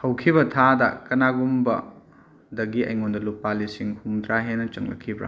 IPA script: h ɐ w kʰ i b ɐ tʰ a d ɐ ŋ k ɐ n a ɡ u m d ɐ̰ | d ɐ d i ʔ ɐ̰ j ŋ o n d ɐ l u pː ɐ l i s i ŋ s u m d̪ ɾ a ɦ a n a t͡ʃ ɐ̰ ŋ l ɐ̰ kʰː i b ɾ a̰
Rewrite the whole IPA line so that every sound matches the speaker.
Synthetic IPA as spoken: h ɐ w kʰ i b ɐ tʰ a d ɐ k ɐ n a ɡ u m b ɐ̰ | d ɐ ɡ i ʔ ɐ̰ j ŋ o n d ɐ l u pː a l i s i ŋ h u m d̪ ɾ a ɦ e n ɐ t͡ʃ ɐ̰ ŋ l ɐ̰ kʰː i b ɾ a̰